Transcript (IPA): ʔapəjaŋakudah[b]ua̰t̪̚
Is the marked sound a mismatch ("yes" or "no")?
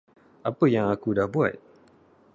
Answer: no